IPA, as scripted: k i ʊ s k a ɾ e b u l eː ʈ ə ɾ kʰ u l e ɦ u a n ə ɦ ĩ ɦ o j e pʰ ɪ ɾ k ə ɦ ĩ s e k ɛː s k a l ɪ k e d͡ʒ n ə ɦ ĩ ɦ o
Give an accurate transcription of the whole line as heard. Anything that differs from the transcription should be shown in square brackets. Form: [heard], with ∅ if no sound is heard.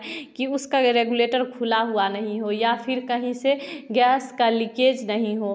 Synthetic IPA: k i ʊ s k a ɾ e [ɡ] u l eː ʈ ə ɾ kʰ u l [a] ɦ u a n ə ɦ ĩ ɦ o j [a] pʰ ɪ ɾ k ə ɦ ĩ s e [ɡ] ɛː s k a l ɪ k e d͡ʒ n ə ɦ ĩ ɦ o

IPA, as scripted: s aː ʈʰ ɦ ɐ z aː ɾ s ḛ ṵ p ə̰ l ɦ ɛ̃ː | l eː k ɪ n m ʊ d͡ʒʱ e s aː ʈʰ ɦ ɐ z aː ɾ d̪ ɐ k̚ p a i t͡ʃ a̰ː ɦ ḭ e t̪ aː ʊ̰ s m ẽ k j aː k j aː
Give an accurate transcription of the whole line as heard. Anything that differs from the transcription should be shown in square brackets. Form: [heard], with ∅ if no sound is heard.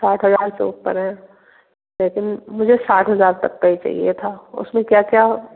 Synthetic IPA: s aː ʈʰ ɦ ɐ z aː ɾ s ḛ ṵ p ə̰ [ɾ] ɦ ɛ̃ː | l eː k ɪ n m ʊ d͡ʒʱ e s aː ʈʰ ɦ ɐ z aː ɾ [t̪] ɐ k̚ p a i t͡ʃ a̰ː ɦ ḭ e [t̪ʰ] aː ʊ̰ s m ẽ k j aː k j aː

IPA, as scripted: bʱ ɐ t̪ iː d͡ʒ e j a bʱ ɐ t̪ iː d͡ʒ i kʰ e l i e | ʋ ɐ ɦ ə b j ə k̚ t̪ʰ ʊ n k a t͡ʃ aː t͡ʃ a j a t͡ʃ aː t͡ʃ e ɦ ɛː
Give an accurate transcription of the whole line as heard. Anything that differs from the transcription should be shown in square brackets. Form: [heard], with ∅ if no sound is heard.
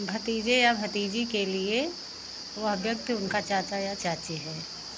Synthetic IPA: bʱ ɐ t̪ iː d͡ʒ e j a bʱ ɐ t̪ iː d͡ʒ i [k] e l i e | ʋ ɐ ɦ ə b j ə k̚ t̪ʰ ʊ n k a t͡ʃ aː t͡ʃ a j a t͡ʃ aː t͡ʃ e ɦ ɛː

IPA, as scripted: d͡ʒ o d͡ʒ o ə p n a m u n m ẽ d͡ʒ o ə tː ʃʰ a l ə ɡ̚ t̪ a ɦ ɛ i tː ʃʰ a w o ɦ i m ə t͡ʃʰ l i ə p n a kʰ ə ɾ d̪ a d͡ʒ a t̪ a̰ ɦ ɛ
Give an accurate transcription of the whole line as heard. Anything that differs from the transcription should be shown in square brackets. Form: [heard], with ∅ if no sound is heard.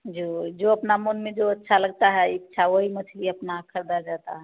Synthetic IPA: d͡ʒ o d͡ʒ o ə p n a m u n m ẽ d͡ʒ o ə tː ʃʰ a l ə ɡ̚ t̪ a ɦ ɛ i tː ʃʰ a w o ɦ i m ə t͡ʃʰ l i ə p n a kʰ ə ɾ d̪ a d͡ʒ a t̪ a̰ ɦ ɛ

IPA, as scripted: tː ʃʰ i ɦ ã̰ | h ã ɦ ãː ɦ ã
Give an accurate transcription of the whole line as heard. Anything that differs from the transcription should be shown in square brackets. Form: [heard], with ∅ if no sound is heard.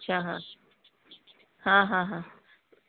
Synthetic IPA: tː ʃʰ [a] ɦ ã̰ | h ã ɦ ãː ɦ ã

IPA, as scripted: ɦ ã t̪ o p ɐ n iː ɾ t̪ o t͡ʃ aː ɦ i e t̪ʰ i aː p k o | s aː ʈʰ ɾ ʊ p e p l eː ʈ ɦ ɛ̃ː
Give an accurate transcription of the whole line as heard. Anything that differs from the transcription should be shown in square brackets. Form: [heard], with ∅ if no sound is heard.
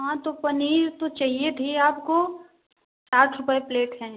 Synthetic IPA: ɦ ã t̪ o p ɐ n iː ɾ t̪ o t͡ʃ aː ɦ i e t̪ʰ i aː p k o | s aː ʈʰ ɾ ʊ p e p l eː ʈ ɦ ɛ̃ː

